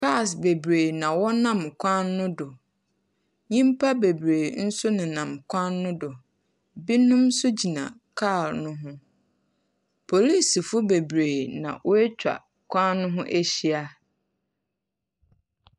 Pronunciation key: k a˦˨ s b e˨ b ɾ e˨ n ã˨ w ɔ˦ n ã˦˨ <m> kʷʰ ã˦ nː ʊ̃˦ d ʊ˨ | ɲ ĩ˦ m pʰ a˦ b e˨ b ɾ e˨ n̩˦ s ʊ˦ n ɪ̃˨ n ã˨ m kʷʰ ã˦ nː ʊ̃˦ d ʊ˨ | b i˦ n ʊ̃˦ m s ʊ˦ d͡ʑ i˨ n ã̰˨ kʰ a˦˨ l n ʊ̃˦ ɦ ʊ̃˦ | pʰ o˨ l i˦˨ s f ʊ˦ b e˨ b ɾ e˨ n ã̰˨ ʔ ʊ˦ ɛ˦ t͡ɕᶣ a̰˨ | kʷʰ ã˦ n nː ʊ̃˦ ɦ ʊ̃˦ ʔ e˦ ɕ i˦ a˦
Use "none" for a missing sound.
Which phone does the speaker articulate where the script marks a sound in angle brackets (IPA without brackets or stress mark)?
m